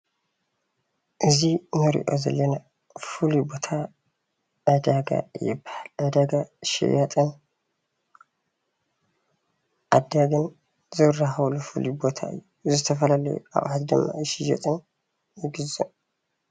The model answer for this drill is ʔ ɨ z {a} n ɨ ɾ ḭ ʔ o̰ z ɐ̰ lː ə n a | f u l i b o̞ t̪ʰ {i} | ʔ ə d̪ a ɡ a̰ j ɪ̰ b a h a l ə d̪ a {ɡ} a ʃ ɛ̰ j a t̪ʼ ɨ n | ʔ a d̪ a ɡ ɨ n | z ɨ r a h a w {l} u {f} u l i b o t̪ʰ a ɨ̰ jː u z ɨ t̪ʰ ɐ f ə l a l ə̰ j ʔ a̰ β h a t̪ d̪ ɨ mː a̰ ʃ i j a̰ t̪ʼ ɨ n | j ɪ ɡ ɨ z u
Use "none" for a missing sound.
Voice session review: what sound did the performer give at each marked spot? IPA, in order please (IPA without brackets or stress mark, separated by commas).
i, a, ɡ, l, f